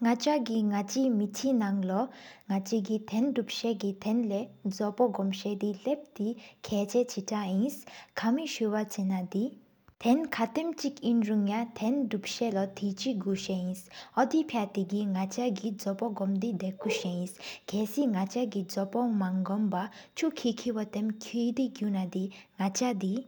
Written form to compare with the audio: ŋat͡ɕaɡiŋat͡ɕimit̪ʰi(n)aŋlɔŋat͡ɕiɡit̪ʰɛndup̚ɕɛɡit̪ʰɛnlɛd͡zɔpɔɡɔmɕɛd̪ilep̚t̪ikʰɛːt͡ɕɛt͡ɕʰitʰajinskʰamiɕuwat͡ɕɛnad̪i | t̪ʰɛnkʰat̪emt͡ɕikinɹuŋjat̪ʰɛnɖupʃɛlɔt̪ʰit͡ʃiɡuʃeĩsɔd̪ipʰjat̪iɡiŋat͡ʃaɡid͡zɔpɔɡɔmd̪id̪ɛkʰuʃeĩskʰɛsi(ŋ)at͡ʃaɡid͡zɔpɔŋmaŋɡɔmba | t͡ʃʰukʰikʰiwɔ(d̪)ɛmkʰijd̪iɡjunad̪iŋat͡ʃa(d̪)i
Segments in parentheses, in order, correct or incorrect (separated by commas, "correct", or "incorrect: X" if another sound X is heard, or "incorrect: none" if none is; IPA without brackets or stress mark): correct, correct, incorrect: t̪, correct